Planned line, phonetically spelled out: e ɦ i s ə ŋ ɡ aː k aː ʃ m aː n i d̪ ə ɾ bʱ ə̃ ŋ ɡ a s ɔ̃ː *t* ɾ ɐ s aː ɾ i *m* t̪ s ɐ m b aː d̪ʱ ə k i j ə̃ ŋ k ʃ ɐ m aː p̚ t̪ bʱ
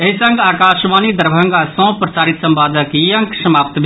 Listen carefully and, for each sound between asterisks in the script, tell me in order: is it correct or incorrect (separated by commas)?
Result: incorrect, incorrect